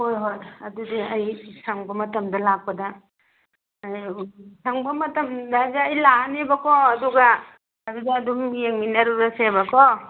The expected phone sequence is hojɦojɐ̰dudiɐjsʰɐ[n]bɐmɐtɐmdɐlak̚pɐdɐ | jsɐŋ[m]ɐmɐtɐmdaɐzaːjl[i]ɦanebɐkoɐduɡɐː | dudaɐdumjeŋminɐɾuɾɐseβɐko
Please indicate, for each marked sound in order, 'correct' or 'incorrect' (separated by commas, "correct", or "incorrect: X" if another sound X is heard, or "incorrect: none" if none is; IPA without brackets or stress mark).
incorrect: ŋ, incorrect: b, incorrect: a